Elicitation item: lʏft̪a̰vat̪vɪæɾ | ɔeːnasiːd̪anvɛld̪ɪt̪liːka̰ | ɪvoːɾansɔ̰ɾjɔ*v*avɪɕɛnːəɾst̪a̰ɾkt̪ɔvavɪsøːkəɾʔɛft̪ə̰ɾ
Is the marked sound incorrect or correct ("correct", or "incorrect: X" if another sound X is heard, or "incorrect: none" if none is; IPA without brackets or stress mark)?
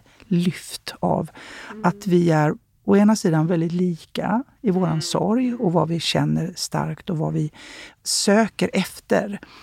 correct